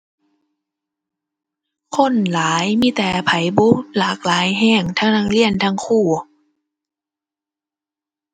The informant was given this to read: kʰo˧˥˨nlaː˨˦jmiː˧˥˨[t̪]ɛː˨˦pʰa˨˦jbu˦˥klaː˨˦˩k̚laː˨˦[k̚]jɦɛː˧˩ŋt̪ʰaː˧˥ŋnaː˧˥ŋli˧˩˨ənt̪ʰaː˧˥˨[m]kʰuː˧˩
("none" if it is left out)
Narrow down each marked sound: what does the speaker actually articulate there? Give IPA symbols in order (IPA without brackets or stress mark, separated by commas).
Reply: t̪, none, ŋ